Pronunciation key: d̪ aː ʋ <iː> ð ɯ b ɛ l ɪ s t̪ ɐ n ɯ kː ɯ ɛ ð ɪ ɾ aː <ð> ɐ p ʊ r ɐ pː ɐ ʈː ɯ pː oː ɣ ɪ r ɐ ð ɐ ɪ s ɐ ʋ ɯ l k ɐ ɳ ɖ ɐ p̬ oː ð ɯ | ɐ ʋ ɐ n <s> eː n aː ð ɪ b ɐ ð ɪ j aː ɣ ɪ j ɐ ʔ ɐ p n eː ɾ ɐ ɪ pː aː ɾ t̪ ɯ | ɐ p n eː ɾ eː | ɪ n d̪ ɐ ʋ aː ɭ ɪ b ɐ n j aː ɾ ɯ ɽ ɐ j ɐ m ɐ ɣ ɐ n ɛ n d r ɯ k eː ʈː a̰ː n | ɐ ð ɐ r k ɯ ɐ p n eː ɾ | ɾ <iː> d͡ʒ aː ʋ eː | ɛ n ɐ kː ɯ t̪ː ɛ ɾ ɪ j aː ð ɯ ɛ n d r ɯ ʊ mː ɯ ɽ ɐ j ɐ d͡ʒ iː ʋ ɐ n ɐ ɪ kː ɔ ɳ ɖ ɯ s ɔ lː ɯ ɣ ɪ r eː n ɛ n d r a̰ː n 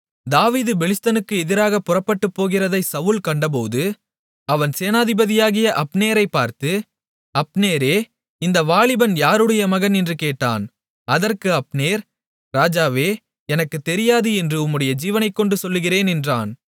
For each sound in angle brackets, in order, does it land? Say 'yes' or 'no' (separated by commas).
yes, no, yes, no